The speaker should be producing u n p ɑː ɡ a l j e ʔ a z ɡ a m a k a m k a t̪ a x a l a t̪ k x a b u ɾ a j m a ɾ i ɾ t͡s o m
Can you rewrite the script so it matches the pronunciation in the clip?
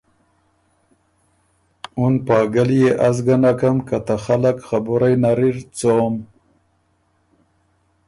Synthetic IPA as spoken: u n p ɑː ɡ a l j e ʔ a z ɡ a n a k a m k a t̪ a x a l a k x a b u ɾ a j n a ɾ i ɾ t͡s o m